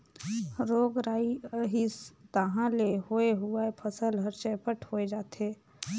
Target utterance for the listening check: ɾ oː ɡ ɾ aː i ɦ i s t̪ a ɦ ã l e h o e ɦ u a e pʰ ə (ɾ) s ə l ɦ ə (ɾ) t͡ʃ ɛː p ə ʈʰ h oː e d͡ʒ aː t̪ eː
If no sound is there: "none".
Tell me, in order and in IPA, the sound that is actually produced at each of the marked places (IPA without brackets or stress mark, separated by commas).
none, ɾ